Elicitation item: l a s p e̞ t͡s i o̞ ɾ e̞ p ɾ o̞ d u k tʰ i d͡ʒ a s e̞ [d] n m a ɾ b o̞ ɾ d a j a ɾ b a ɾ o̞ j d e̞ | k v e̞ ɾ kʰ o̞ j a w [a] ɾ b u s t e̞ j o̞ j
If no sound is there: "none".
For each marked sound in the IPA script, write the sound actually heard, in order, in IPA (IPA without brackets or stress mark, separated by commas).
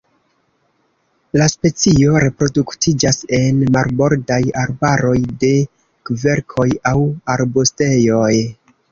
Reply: none, a